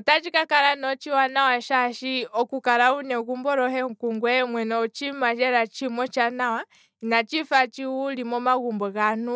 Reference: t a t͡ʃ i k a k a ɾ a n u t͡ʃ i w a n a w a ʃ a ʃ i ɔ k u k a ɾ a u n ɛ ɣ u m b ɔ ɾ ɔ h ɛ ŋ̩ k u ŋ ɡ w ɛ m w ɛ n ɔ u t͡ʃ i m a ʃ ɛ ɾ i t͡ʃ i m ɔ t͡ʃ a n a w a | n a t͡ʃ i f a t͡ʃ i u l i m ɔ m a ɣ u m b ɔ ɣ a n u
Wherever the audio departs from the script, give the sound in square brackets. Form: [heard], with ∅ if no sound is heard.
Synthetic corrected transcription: t a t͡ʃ i k a k a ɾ a n [ɔ] t͡ʃ i w a n a w a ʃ a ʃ i ɔ k u k a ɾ a u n ɛ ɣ u m b ɔ ɾ ɔ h ɛ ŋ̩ k u ŋ ɡ w ɛ m w ɛ n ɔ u t͡ʃ i m a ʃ ɛ ɾ [a] t͡ʃ i m ɔ t͡ʃ a n a w a | n a t͡ʃ i f a t͡ʃ i u l i m ɔ m a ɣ u m b ɔ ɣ a n u